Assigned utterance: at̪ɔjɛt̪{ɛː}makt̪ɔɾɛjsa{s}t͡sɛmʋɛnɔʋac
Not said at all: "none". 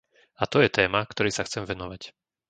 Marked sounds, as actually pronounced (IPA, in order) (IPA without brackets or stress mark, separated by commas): ɛː, x